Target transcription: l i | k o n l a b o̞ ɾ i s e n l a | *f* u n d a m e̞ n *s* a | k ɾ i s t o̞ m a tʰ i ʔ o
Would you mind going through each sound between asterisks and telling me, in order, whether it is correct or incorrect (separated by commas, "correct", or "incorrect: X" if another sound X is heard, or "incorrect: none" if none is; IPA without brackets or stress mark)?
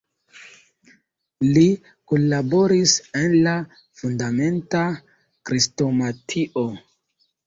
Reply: correct, incorrect: t